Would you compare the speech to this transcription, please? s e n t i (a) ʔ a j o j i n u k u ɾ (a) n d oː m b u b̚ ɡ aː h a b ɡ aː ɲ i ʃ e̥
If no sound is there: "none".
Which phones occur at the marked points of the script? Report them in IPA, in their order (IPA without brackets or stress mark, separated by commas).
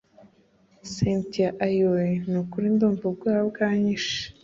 a, i